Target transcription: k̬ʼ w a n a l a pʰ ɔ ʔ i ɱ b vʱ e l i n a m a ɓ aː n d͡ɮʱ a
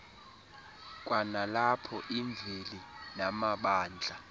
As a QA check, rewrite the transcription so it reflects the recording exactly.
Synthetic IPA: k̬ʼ w a n a l a pʰ ɔ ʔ i ɱ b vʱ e l i n a m a ɓ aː n d͡ɮʱ a